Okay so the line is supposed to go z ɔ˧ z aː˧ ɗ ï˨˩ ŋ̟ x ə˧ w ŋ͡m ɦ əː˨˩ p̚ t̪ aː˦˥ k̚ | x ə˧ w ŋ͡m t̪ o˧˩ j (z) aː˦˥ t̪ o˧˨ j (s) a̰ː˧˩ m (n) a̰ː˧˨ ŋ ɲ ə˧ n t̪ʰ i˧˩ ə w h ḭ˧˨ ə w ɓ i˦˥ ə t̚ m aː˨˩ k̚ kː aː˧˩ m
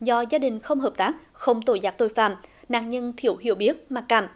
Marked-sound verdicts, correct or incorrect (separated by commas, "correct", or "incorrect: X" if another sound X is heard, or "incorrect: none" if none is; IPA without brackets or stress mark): correct, incorrect: f, correct